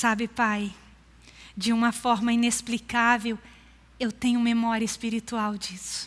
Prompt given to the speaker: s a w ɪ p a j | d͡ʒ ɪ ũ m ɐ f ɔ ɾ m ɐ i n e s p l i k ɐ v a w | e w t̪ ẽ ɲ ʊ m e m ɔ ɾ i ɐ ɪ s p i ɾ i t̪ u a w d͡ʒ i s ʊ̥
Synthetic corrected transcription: s a b ɪ p a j | d͡ʒ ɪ ũ m ɐ f ɔ ɾ m ɐ i n e s p l i k a v e w | e w t̪ ẽ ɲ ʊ m e m ɔ ɾ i ɐ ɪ s p i ɾ i t̪ u a w d͡ʒ i s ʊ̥

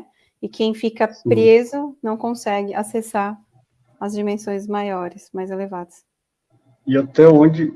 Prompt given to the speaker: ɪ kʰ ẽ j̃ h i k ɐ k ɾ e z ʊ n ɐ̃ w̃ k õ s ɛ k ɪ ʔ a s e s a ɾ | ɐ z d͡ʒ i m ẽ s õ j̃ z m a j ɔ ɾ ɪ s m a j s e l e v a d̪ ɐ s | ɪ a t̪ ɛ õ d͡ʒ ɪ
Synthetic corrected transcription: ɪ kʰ ẽ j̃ f i k ɐ p ɾ e z ʊ n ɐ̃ w̃ k õ s ɛ ɡ ɪ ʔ a s e s a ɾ | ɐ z d͡ʒ i m ẽ s õ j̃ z m a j ɔ ɾ ɪ s m a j z e l e v a d̪ ɐ s | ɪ a t̪ ɛ õ d͡ʒ ɪ

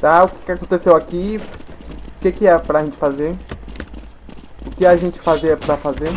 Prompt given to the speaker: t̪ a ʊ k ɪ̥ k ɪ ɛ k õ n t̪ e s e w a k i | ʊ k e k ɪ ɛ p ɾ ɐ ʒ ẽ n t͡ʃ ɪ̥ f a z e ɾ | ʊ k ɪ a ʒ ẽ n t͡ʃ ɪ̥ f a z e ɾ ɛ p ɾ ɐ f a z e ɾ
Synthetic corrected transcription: t̪ a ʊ k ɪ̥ k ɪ a k õ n t̪ e s e w a k i | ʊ k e k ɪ ɛ p ɾ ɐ ʒ ẽ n t͡ʃ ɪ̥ f a z e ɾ | ʊ k ɪ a ʒ ẽ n t͡ʃ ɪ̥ f a z e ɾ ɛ p ɾ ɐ f a z e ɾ

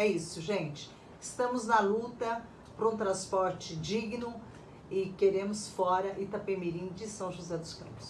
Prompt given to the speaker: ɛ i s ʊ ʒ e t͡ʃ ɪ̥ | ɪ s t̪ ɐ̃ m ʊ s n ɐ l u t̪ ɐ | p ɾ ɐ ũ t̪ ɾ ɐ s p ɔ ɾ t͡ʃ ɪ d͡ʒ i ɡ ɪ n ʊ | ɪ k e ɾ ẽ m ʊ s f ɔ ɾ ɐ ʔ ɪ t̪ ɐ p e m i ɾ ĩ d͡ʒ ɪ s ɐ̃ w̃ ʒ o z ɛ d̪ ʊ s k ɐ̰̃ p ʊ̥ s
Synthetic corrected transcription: ɛ i s ʊ ʒ ẽ t͡ʃ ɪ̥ | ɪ s t̪ ɐ̃ m ʊ z n ɐ l u t̪ ɐ | p ɾ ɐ ũ t̪ ɾ ɐ̃ s p ɔ ɾ t͡ʃ ɪ d͡ʒ i ɡ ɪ n ʊ | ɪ k e ɾ ẽ m ʊ s f ɔ ɾ ɐ ʔ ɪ t̪ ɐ p e m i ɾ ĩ d͡ʒ ɪ s ɐ̃ w̃ ʒ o z ɛ d̪ ʊ s k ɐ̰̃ p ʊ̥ s

